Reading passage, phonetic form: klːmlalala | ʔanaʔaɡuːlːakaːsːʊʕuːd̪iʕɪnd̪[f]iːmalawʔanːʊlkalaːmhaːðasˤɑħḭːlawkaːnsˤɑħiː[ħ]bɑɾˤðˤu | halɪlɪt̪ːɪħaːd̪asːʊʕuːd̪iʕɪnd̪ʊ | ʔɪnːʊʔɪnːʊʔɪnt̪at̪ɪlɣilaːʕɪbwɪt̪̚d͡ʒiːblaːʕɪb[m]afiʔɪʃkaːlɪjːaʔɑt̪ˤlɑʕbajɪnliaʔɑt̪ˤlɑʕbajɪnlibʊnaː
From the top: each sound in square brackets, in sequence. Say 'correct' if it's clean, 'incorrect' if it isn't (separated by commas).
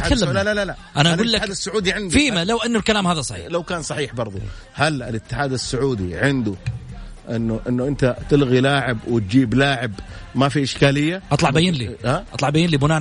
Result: correct, correct, correct